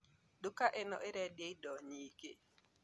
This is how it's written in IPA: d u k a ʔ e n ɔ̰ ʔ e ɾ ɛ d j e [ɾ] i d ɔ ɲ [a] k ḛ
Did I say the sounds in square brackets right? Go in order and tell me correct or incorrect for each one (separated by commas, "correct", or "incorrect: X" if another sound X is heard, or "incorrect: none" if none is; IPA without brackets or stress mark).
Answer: incorrect: none, incorrect: i